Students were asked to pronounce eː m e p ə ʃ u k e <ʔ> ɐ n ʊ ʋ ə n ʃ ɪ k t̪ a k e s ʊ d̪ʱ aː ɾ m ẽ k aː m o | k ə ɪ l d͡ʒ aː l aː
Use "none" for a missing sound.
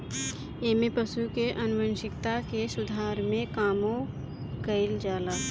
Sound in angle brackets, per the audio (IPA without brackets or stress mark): ʔ